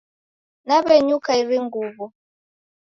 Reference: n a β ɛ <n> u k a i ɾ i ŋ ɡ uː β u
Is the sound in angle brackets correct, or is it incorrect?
incorrect